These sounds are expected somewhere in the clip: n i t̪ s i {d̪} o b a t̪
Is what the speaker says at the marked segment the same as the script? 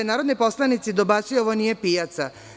yes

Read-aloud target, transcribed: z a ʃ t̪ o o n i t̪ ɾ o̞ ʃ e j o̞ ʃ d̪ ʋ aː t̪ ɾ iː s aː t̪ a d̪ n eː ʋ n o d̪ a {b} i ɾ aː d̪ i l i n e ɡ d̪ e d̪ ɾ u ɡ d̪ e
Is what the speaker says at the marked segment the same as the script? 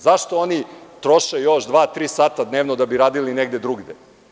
yes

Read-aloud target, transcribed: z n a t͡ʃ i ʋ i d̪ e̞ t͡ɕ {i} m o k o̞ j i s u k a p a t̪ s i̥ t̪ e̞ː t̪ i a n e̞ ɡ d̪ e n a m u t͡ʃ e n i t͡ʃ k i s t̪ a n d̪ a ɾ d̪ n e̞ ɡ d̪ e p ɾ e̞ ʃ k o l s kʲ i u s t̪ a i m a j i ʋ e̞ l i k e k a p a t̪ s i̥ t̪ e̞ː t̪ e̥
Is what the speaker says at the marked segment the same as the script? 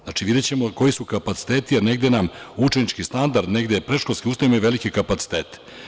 no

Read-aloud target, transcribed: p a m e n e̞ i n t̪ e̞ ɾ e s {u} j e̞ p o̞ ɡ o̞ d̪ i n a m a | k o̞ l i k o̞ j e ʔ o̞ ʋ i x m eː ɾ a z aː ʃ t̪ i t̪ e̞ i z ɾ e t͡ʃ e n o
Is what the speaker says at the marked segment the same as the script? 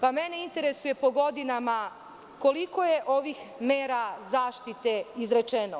yes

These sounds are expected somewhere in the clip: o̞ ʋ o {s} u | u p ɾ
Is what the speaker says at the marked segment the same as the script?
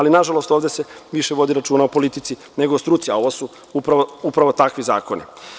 yes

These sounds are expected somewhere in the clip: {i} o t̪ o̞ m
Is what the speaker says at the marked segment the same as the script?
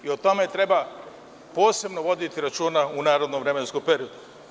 yes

